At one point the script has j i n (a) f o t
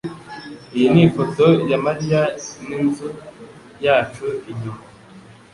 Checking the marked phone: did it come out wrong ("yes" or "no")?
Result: yes